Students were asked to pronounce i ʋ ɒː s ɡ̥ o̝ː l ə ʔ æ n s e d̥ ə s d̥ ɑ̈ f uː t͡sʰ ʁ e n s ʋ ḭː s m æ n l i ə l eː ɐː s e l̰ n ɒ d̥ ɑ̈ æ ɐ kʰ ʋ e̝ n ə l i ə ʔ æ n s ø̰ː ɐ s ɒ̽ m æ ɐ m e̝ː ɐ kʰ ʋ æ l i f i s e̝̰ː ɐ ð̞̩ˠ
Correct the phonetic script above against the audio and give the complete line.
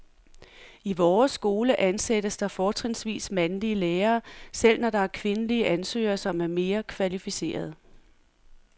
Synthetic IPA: i ʋ ɒː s ɡ̥ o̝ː l ə ʔ æ n s e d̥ ə s d̥ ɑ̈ f ɒː t͡sʰ ʁ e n s ʋ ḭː s m æ n l i ə l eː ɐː s e l̰ n ɒ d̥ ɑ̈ æ ɐ kʰ ʋ e̝ n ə l i ə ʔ æ n s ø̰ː ɐ s ɒ̽ m æ ɐ m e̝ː ɐ kʰ ʋ æ l i f i s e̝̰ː ɐ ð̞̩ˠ